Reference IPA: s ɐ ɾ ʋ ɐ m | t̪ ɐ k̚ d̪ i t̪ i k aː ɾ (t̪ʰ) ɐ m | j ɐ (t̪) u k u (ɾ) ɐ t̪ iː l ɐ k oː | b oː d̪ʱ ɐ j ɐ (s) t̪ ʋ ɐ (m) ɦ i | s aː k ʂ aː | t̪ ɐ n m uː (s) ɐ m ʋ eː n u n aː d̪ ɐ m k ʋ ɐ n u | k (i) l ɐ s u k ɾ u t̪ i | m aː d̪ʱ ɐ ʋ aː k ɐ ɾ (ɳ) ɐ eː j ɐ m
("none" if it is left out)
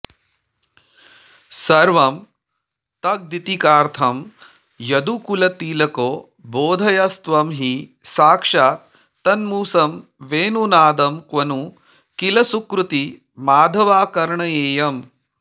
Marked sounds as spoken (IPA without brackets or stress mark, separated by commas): t̪ʰ, d̪, l, s, m, s, i, ɳ